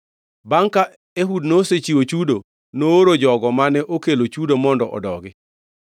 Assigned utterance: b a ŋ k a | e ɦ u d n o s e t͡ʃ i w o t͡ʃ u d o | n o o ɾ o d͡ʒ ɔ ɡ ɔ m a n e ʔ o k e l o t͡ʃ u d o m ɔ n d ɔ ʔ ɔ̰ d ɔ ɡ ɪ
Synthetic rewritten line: b a ŋ k a | e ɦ u d n o s e t͡ʃ i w o t͡ʃ u d o | n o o ɾ o d͡ʒ ɔ ɡ ɔ m a n ɛ ʔ o k e l o t͡ʃ u d o m ɔ n d ɔ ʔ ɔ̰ d ɔ ɡ ɪ